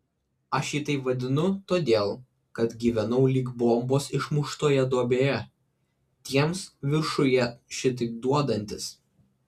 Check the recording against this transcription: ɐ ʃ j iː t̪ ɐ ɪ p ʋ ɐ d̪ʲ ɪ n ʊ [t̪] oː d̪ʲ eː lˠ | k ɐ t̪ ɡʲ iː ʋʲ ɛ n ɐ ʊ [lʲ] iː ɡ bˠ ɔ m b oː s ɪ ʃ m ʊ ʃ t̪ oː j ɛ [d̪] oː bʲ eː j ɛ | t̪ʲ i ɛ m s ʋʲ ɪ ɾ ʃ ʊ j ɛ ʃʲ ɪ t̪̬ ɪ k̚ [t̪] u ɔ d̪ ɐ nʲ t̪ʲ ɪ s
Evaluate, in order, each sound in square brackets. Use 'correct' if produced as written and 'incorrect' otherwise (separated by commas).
correct, correct, correct, incorrect